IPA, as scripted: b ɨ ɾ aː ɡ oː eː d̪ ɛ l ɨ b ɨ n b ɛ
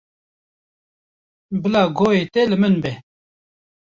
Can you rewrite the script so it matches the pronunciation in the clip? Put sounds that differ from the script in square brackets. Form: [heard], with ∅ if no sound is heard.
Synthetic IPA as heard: b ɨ [l] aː ɡ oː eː [t̪] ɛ l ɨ [m] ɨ n b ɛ